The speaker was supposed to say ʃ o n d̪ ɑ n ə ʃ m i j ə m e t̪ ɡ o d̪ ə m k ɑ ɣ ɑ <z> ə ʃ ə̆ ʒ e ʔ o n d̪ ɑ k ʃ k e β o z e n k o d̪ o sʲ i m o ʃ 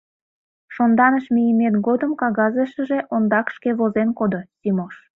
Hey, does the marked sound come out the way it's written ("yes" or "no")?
yes